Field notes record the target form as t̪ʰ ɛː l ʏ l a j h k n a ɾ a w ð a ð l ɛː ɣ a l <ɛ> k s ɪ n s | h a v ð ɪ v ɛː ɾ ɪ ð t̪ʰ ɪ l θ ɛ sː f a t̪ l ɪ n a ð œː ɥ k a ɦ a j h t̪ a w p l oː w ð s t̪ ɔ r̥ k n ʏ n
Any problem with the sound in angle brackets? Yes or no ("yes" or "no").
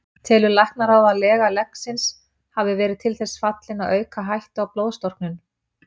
no